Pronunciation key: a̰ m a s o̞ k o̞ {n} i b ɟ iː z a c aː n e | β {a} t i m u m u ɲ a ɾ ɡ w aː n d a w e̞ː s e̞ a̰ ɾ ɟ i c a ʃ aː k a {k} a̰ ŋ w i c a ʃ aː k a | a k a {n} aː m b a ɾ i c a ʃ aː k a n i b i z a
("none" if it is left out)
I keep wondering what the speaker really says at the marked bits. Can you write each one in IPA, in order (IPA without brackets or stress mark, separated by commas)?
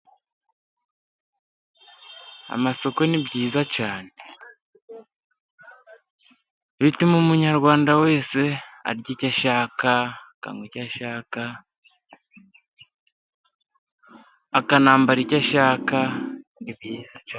n, i, k, n